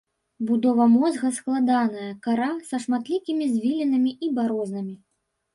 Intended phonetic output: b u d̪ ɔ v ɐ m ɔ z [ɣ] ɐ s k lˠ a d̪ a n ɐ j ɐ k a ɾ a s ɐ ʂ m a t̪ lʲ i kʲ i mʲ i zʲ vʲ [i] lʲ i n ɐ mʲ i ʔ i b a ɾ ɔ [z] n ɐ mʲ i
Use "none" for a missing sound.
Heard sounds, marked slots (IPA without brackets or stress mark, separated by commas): ɣ, i, z